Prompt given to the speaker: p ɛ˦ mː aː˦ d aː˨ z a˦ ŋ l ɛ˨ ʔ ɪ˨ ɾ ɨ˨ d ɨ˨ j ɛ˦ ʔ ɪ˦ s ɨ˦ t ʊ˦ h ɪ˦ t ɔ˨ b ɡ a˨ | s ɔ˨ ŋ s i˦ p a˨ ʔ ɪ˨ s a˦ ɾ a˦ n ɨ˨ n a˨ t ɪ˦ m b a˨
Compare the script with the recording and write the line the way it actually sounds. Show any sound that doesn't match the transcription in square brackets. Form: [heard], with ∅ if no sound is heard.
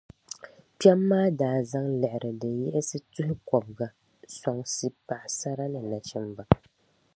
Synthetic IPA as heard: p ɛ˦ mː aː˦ d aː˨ z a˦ ŋ l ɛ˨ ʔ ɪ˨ ɾ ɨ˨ d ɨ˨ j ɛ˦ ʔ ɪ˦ s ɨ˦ t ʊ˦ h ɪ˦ [k] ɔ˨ b ɡ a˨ | s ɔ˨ ŋ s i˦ p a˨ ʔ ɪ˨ s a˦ ɾ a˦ n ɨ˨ n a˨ [t͡ʃ] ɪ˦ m b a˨